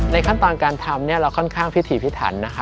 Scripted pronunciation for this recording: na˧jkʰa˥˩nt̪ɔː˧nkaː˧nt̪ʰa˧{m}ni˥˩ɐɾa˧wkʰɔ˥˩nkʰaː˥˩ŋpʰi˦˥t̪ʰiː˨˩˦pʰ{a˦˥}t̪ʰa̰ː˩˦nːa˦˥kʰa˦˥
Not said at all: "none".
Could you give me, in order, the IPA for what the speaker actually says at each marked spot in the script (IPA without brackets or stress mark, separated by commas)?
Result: m, i˦˥